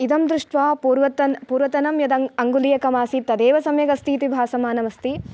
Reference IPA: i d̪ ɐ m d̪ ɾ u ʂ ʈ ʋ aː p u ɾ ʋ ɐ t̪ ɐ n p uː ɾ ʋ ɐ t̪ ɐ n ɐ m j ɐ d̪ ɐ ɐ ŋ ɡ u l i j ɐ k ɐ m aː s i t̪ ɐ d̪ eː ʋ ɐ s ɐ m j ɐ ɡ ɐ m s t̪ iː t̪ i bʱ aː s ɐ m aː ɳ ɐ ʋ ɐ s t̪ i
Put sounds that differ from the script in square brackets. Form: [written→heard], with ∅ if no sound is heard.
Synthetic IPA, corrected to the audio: i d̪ ɐ m d̪ ɾ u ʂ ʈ ʋ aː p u ɾ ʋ ɐ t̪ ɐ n p uː ɾ ʋ ɐ t̪ ɐ n ɐ m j ɐ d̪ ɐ ɐ ŋ ɡ u l i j ɐ k ɐ m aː s i t̪ ɐ d̪ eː ʋ ɐ s ɐ m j ɐ ɡ ɐ [m→∅] s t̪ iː t̪ i bʱ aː s ɐ m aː [ɳ→n] ɐ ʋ ɐ s t̪ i